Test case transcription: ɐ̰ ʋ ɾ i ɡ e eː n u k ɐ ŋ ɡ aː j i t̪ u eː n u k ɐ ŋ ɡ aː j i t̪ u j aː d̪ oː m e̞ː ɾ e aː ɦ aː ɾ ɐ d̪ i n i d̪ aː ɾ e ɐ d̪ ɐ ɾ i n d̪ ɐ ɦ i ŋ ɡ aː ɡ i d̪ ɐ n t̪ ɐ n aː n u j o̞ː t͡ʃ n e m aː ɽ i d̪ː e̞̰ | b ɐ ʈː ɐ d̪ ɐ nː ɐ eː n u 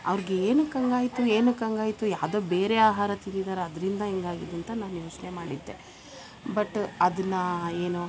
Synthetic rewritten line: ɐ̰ ʋ ɾ i ɡ e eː n u k ɐ ŋ ɡ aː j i t̪ u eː n u k ɐ ŋ ɡ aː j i t̪ u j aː d̪ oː b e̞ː ɾ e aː ɦ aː ɾ ɐ t̪ i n i d̪ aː ɾ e ɐ d̪ ɐ ɾ i n d̪ ɐ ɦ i ŋ ɡ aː ɡ i d̪ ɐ n t̪ ɐ n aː n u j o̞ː t͡ʃ n e m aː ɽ i d̪ː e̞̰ | b ɐ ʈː ɐ d̪ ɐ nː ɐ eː n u